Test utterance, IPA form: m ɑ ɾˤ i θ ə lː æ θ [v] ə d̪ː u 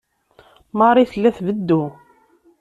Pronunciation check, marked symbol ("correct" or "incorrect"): correct